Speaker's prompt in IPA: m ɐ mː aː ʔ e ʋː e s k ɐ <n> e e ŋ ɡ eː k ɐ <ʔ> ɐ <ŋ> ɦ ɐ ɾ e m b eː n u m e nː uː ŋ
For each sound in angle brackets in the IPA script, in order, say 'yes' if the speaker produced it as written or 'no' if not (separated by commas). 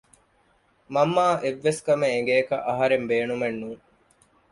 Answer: no, yes, no